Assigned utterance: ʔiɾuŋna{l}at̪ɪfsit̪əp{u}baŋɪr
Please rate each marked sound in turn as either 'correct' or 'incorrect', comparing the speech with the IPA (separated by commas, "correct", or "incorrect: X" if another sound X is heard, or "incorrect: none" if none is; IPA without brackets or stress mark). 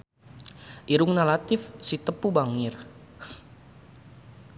correct, correct